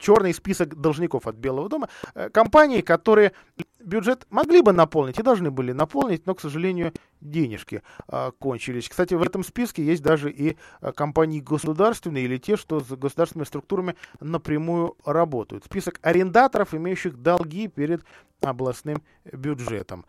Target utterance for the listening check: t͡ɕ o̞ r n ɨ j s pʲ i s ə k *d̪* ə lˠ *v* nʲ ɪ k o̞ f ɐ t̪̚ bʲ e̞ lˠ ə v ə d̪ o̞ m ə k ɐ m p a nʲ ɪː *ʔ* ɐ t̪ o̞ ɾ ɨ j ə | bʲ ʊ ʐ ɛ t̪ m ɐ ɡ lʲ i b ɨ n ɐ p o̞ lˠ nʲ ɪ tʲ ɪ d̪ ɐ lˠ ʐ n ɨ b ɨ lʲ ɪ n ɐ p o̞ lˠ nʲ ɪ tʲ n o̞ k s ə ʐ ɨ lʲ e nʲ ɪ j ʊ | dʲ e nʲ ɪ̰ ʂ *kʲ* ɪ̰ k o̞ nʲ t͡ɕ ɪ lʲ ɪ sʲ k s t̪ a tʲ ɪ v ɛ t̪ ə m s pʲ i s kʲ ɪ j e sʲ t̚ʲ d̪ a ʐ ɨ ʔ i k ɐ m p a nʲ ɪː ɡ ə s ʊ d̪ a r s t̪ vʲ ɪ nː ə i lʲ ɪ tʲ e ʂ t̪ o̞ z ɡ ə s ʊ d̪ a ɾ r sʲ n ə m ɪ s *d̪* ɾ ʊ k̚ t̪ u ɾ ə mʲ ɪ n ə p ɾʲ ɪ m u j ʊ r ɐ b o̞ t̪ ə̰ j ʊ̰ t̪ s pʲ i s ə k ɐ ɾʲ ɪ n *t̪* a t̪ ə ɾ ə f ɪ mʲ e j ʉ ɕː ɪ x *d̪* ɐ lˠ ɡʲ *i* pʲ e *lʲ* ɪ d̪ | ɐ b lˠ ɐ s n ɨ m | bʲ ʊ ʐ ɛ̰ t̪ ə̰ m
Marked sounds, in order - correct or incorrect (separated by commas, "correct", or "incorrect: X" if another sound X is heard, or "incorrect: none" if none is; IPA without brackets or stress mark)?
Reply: correct, incorrect: ʐ, incorrect: k, correct, incorrect: t̪, incorrect: d̪, correct, correct, incorrect: ɾʲ